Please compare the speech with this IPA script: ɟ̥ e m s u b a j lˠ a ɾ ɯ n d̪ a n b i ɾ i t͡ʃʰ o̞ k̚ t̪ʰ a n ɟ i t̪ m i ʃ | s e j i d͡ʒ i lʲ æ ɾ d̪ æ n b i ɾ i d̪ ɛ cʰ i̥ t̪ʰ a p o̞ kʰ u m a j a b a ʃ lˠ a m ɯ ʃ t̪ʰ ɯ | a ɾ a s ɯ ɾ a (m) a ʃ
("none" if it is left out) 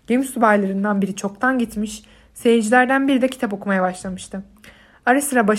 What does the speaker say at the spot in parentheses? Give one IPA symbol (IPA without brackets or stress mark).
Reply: b